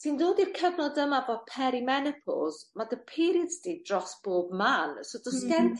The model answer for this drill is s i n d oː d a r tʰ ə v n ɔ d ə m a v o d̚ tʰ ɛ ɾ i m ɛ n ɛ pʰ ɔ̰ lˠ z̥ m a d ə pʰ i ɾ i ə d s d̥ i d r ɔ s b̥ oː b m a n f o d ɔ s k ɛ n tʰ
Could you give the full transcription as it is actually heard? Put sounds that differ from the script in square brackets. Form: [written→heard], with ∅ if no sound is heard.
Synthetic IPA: s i n d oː d [a→i] r [tʰ→kʰ] ə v n ɔ d ə m a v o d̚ [tʰ→pʰ] ɛ ɾ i m ɛ n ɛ pʰ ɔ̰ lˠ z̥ m a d ə pʰ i ɾ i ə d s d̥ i d r ɔ s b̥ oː b m a n [f→s] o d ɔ s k ɛ n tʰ